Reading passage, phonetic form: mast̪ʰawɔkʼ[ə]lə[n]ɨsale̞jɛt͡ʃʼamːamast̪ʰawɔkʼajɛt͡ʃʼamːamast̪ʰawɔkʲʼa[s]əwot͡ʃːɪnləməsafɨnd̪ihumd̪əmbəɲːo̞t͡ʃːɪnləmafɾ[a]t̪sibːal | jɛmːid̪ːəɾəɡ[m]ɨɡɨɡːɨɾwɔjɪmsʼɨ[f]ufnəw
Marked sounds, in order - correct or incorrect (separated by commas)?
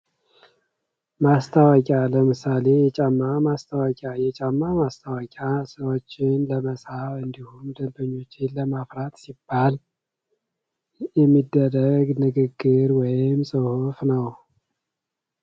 incorrect, incorrect, correct, correct, incorrect, incorrect